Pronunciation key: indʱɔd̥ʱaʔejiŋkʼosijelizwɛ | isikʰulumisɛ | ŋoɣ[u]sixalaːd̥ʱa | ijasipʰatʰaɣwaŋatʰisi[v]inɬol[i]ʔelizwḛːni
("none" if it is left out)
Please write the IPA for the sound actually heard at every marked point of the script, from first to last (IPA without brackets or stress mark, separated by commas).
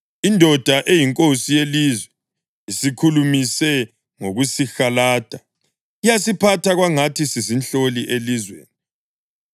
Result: u, z, i